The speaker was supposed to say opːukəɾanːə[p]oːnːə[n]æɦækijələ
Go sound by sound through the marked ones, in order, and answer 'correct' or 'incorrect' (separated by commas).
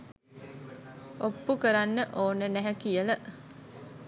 incorrect, correct